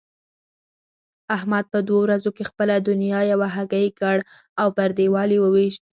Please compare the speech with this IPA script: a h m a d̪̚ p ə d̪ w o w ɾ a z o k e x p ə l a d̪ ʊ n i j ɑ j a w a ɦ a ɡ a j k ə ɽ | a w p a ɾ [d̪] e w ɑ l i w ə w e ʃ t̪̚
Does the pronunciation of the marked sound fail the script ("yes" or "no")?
no